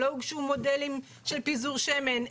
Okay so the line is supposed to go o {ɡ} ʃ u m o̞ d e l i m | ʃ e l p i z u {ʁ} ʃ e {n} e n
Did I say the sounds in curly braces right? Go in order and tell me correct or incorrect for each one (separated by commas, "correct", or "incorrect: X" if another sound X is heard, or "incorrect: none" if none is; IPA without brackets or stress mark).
correct, correct, incorrect: m